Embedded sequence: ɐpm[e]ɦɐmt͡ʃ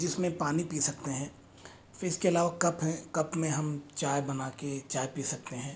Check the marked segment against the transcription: incorrect: ẽ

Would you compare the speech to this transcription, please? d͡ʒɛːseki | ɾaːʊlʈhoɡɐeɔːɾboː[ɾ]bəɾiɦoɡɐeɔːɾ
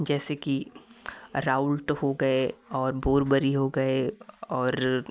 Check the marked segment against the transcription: correct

